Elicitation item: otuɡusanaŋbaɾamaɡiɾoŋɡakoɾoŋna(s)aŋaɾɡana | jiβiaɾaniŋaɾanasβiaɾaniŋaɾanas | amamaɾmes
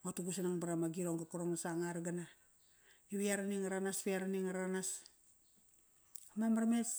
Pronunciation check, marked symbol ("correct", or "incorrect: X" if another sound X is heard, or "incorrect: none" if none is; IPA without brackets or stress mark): correct